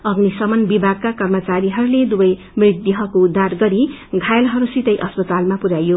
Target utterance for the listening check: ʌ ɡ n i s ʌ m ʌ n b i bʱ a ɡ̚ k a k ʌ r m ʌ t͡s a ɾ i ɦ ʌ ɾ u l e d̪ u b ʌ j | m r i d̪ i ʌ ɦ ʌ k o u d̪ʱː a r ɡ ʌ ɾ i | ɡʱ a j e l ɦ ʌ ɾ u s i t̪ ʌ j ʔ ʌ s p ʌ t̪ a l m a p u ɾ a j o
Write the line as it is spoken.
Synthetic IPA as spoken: ʌ ɡ n i s ʌ m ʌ n b i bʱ a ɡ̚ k a k ʌ r m ʌ t͡s a ɾ i ɦ ʌ ɾ u l e d̪ u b ʌ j | m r i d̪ j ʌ ɦ ʌ k o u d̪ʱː a r ɡ ʌ ɾ i | ɡʱ a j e l ɦ ʌ ɾ u s i t̪ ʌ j ʔ ʌ s p ʌ t̪ a l m a p u ɾ a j o